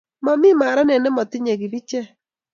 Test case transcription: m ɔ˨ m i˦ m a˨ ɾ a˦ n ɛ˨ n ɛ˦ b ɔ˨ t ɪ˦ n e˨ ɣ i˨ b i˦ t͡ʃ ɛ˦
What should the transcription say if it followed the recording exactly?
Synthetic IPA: m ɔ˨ m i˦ m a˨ ɾ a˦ n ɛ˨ n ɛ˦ m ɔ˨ t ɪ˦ ɲ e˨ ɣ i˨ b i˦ t͡ʃ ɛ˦